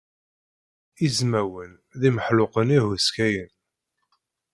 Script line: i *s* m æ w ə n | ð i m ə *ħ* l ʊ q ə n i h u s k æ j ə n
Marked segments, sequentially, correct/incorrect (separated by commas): incorrect, correct